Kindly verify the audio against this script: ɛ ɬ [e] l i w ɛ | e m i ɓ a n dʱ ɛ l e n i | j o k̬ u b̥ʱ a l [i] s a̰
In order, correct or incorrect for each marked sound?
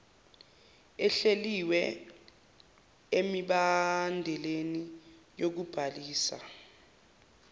correct, incorrect

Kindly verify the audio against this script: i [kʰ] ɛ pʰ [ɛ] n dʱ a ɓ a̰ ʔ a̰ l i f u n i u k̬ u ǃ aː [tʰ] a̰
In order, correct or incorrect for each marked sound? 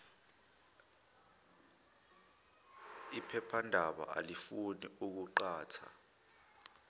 incorrect, incorrect, correct

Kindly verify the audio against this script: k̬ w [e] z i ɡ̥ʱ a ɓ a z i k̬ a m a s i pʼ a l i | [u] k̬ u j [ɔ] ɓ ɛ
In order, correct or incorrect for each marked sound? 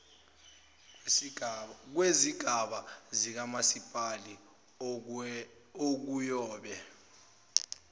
correct, incorrect, incorrect

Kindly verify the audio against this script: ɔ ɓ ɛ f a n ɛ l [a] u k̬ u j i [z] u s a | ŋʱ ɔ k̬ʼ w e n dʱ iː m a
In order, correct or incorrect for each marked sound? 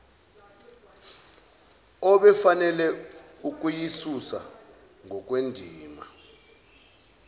incorrect, incorrect

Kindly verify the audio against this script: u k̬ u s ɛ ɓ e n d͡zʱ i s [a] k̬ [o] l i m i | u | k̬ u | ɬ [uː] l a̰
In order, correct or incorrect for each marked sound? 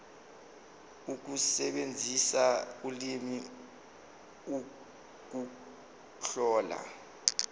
correct, incorrect, incorrect

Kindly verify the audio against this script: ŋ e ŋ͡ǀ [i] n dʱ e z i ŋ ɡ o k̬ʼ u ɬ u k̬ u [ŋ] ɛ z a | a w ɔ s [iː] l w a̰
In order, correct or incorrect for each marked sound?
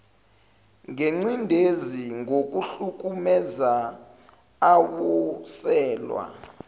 correct, incorrect, incorrect

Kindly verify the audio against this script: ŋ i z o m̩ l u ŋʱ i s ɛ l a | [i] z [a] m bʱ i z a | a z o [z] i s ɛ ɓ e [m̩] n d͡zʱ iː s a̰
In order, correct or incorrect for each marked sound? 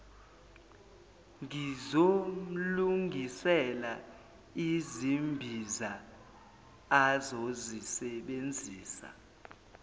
correct, incorrect, correct, incorrect

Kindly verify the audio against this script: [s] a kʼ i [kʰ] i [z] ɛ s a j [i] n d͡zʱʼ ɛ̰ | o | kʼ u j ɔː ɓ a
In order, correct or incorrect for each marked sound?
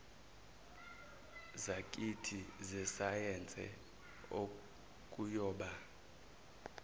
incorrect, incorrect, correct, incorrect

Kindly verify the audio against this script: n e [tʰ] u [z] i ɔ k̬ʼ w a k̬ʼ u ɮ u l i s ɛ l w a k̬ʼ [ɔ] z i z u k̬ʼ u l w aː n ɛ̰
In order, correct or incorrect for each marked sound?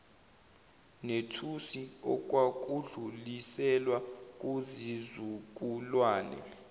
correct, incorrect, incorrect

